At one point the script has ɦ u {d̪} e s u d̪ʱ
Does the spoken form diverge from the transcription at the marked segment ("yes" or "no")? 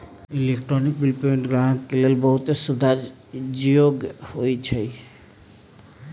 yes